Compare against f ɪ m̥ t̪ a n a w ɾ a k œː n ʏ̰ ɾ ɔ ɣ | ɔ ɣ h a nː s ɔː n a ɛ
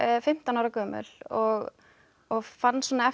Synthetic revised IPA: f ɪ m̥ t̪ a n a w ɾ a k œː m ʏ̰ l ɔ ɣ | ɔ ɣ f a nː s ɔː n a ɛ